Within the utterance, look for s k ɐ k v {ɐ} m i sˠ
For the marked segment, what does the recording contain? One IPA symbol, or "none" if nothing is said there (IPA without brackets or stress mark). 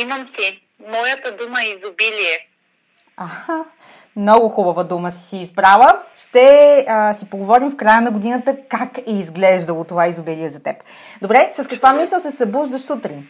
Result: a